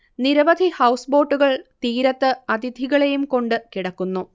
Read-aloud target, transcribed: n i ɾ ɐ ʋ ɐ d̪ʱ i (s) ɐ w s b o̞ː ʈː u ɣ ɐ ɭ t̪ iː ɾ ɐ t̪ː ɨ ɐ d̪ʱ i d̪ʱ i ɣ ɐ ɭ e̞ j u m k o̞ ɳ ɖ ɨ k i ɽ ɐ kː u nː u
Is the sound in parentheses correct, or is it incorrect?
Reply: incorrect